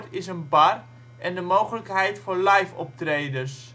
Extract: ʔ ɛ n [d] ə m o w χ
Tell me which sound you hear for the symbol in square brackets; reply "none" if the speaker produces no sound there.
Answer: d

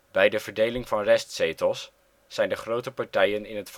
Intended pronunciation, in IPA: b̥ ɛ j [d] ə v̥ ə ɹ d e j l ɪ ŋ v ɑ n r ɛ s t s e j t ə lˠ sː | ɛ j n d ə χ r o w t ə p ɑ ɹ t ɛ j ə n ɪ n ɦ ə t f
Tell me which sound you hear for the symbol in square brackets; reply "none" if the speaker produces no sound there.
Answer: d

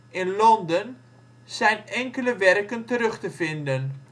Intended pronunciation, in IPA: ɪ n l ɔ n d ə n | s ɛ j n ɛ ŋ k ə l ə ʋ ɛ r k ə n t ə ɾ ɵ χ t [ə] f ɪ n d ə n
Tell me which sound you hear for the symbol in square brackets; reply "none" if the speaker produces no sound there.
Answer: ə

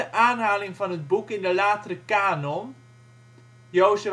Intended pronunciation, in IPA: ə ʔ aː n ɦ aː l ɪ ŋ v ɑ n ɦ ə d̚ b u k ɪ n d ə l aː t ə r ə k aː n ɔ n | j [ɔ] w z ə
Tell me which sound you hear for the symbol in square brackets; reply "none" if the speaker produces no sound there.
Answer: o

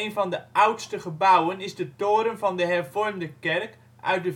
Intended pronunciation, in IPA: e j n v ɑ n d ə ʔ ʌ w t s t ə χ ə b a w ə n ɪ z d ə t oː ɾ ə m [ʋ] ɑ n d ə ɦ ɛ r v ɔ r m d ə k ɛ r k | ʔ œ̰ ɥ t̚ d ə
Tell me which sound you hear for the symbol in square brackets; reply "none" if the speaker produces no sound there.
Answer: v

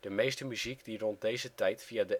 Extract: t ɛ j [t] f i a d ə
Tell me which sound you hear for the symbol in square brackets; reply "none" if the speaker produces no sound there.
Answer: t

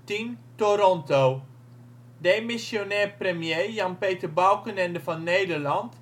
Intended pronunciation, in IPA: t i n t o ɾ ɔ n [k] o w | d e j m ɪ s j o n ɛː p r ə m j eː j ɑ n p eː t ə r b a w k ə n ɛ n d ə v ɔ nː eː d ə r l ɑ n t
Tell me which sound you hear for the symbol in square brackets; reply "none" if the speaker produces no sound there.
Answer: t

